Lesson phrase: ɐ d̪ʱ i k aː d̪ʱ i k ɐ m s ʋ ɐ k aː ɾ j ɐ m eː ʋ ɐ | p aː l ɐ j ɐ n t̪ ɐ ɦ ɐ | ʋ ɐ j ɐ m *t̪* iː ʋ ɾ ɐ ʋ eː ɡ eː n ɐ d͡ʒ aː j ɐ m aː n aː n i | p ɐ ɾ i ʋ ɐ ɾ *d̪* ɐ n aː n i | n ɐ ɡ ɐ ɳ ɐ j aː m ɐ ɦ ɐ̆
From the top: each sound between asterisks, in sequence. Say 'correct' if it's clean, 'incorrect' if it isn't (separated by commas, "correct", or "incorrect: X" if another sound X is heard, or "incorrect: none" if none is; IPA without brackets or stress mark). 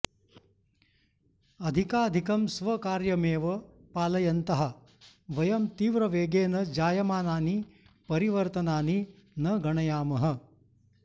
correct, incorrect: t̪